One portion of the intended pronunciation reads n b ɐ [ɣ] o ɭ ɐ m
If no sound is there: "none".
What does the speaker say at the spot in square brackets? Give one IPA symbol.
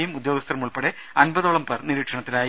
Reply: ð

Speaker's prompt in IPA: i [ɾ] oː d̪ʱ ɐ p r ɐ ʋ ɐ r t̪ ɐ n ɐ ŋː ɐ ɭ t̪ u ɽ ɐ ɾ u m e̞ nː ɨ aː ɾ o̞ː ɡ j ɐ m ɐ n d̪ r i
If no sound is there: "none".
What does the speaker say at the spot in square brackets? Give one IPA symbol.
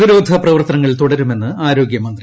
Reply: ɾ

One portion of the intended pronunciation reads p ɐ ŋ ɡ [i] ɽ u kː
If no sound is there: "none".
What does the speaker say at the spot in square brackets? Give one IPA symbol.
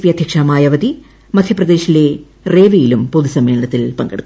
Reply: e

